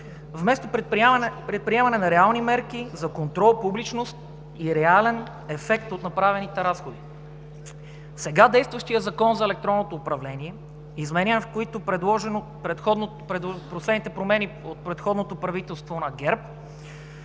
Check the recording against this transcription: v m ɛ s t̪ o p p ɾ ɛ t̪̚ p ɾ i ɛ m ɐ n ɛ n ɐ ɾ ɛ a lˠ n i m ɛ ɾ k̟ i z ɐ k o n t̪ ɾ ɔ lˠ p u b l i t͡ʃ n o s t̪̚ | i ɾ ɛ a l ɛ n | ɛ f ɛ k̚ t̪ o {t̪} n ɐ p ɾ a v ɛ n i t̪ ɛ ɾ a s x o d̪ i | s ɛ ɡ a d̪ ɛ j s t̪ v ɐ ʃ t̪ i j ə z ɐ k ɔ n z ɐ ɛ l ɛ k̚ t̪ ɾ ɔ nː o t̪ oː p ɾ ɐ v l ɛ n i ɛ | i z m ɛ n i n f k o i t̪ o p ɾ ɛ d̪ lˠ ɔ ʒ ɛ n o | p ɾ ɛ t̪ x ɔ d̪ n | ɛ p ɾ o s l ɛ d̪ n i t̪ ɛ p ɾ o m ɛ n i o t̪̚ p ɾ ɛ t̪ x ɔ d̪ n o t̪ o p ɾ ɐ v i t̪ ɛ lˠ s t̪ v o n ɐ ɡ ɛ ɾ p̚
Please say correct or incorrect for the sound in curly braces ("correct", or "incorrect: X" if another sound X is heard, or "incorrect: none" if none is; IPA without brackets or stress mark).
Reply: correct